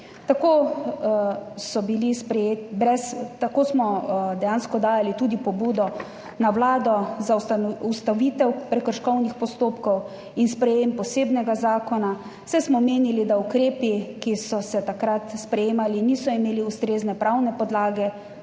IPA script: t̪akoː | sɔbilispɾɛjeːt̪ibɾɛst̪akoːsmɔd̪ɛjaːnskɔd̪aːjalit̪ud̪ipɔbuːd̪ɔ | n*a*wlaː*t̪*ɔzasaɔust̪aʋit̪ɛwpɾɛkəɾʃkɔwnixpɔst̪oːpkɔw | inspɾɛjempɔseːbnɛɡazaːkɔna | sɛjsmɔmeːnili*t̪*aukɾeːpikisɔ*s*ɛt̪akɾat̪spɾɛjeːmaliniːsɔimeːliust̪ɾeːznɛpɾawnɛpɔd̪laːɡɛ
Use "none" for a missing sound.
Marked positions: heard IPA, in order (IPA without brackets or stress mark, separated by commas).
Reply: a, d̪, d̪, s